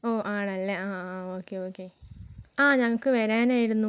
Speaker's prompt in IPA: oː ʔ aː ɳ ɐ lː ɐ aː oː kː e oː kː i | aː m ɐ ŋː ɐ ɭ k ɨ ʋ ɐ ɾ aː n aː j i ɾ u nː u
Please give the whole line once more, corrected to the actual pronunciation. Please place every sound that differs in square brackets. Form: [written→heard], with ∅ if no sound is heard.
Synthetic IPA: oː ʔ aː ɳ ɐ lː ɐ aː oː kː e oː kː [i→e] | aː [m→ɲ] ɐ ŋː ɐ ɭ k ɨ ʋ ɐ ɾ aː n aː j i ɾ u nː u

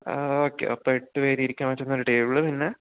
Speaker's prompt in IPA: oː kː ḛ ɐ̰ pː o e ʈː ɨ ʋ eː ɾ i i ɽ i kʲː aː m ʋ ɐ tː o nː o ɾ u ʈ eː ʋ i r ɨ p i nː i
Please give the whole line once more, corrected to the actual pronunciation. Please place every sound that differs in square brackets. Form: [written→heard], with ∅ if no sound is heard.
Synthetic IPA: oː kː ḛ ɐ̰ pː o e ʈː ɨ ʋ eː ɾ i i [ɽ→ɾ] i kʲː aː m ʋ ɐ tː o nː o ɾ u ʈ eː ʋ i [r→ɭ] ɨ p i nː [i→e]

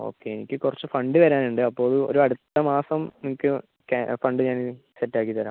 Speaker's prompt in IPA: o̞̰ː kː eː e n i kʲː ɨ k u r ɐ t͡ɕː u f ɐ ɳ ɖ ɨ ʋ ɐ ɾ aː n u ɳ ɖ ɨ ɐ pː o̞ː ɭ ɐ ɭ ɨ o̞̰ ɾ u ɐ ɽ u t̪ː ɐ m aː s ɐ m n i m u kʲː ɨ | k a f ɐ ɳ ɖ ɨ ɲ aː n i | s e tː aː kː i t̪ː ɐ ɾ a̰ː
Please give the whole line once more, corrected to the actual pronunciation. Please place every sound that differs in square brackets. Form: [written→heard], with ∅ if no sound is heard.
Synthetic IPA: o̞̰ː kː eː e n i kʲː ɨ k u r ɐ t͡ɕː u f ɐ ɳ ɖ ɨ ʋ ɐ ɾ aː n u ɳ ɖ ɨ ɐ pː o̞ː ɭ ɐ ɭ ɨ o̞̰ ɾ u ɐ ɽ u t̪ː ɐ m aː s ɐ m n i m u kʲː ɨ | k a f ɐ ɳ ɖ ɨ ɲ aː n i | s e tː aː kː i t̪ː ɐ ɾ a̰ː

